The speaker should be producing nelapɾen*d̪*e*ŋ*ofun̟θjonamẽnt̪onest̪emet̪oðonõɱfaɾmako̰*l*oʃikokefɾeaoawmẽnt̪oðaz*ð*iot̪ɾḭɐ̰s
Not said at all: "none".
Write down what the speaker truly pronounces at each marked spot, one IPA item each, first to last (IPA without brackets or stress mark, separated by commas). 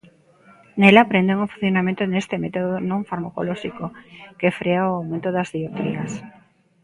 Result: d̪, ŋ, l, ð